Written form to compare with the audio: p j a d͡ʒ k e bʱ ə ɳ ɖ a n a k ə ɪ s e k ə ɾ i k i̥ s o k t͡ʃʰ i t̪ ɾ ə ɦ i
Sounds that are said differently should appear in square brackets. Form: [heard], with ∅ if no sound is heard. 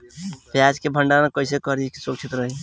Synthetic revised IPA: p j a d͡ʒ k e bʱ ə ɳ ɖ a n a k ə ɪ s e k ə ɾ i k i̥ s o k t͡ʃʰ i t̪ ɾ ə ɦ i